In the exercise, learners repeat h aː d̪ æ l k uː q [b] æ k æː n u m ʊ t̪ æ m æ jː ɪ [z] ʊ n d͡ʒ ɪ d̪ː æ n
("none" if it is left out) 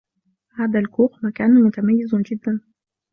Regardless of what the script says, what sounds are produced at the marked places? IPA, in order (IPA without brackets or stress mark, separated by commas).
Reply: m, z